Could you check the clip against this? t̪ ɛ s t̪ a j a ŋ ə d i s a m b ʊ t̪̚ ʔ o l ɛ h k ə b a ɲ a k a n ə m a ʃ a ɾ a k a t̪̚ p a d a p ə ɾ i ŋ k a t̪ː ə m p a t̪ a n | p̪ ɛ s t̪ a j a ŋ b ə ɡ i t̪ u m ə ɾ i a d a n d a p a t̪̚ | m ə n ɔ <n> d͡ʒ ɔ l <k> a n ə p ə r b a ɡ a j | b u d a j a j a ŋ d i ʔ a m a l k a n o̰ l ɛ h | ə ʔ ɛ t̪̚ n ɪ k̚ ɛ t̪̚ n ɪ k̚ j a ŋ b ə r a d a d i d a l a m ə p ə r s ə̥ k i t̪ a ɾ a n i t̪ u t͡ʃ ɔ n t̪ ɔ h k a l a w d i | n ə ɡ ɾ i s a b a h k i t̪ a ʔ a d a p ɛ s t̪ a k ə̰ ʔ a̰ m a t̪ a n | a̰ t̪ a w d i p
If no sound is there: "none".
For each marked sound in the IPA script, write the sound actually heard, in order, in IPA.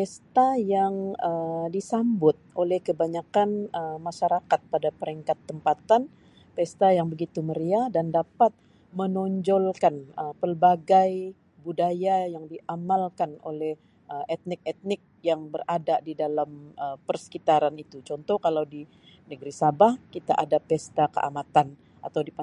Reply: ɲ, k

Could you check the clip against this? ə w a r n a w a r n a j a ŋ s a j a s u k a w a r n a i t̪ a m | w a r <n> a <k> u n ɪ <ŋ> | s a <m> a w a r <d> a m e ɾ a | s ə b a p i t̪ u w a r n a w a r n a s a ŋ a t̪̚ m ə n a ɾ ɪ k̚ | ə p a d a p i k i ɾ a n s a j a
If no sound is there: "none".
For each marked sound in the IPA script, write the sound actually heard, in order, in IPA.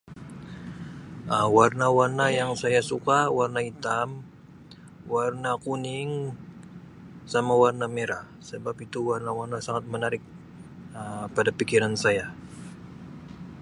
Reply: n, k, ŋ, m, n

